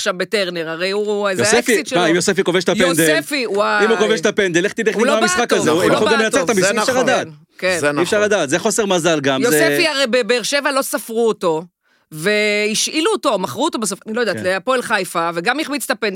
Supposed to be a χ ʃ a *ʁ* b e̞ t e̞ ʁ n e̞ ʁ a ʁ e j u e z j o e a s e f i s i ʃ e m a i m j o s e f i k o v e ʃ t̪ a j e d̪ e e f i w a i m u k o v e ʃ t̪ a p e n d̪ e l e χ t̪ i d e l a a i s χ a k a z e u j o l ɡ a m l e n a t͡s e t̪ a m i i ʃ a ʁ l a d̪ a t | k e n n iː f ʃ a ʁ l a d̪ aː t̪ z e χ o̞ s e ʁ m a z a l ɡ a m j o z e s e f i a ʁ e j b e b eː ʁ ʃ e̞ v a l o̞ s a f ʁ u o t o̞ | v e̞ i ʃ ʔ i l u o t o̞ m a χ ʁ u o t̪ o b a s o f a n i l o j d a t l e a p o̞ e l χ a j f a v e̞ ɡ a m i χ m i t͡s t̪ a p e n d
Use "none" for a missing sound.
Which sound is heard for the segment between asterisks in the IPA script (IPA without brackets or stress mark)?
v